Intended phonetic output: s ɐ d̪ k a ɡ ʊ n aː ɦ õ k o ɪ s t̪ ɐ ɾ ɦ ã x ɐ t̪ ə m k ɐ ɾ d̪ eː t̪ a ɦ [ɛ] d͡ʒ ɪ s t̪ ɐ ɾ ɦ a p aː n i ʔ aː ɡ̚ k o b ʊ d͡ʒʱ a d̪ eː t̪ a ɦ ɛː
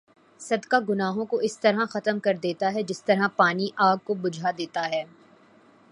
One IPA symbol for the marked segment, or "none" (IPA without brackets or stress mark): ɛ